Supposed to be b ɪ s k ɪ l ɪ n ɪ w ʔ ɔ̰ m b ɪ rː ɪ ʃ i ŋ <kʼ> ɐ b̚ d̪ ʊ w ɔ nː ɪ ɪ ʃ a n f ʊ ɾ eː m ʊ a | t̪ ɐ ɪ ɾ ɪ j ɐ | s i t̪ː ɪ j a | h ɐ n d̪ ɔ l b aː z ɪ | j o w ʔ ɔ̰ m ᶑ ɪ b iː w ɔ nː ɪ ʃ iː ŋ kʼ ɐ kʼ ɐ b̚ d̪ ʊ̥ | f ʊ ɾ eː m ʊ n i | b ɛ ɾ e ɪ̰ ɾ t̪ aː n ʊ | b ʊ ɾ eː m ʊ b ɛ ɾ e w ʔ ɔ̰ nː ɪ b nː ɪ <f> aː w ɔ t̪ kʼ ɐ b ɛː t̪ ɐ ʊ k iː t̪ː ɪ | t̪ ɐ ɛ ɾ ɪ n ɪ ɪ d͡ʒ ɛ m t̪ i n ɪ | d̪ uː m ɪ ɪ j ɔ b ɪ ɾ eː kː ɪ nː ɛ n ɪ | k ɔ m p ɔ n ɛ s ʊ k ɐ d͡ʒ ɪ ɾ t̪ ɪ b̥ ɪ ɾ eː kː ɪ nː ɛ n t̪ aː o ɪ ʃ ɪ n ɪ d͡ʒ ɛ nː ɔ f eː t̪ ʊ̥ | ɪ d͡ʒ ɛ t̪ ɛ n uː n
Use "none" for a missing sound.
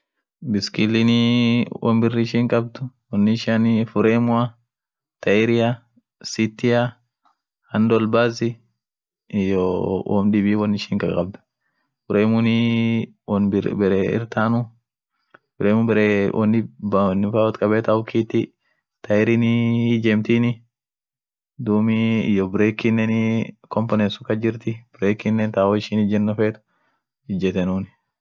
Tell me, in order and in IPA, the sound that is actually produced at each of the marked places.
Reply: kʼ, f

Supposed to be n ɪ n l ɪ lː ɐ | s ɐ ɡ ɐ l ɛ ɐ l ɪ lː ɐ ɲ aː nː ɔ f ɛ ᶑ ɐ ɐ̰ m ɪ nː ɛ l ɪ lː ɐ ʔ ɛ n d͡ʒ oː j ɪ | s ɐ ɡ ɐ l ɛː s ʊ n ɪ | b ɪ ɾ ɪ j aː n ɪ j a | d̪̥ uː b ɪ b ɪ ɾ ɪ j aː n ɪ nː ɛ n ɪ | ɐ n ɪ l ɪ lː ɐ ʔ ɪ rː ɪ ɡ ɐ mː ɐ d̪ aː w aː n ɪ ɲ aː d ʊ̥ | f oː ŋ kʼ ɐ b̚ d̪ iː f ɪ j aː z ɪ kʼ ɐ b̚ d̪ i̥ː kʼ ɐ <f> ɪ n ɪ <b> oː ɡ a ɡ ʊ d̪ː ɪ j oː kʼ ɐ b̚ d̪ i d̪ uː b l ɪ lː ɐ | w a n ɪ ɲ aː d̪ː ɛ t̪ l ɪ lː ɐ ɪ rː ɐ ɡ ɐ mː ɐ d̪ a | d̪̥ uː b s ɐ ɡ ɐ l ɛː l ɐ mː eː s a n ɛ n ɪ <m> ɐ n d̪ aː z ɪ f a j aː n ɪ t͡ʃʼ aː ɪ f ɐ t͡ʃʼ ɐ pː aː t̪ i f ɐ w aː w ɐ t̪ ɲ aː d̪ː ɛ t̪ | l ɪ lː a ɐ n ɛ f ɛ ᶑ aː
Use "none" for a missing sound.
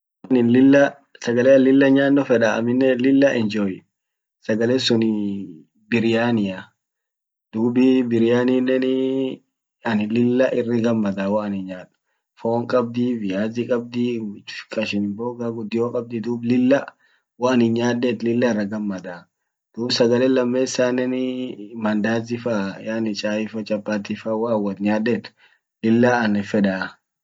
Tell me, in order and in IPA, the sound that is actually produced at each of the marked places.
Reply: ʃ, b, m

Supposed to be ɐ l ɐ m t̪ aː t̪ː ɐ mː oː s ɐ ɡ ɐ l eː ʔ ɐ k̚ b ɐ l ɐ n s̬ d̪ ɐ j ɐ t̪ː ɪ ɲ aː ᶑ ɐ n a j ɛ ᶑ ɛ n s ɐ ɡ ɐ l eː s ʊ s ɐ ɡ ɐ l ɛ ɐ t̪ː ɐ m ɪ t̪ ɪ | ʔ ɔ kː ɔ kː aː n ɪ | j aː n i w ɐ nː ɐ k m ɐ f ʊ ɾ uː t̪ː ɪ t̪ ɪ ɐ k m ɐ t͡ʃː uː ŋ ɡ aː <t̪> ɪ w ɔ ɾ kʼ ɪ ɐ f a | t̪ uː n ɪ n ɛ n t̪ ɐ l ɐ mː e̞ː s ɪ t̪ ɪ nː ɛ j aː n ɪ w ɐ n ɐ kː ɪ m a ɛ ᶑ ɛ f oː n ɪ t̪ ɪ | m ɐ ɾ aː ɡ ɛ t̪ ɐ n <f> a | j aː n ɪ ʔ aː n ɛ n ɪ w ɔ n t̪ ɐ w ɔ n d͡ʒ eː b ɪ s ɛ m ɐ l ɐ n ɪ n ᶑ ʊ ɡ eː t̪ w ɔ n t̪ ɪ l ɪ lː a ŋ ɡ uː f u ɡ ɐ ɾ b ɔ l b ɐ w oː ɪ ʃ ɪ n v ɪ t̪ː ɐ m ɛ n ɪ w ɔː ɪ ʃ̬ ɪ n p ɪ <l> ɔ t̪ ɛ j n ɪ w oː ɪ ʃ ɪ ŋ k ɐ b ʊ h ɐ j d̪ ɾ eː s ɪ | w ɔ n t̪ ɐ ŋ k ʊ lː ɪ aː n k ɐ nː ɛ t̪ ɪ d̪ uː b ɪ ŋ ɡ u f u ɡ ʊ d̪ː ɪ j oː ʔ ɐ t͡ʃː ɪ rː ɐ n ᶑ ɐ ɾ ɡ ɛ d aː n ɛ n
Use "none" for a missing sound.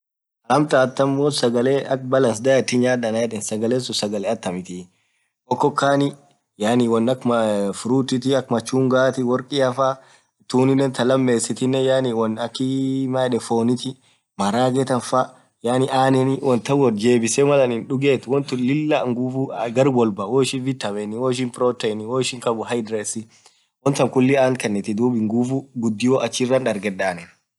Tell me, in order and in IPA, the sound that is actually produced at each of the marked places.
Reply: t̪, f, ɾ

